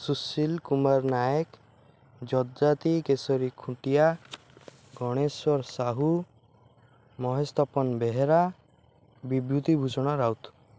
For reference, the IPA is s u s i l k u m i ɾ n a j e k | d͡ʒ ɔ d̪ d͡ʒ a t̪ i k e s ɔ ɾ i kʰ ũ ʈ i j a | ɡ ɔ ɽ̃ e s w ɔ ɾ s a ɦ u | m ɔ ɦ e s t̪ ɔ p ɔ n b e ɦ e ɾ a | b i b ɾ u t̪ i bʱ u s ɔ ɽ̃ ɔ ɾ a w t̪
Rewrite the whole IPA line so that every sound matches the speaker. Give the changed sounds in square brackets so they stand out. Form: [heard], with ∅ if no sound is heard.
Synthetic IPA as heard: s u s i l k u m [a] ɾ n a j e k | d͡ʒ ɔ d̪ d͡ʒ a t̪ i k e s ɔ ɾ i kʰ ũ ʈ i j a | ɡ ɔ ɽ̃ e s w ɔ ɾ s a ɦ u | m ɔ ɦ e s t̪ ɔ p ɔ n b e ɦ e ɾ a | b i b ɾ u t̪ i bʱ u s ɔ ɽ̃ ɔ ɾ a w t̪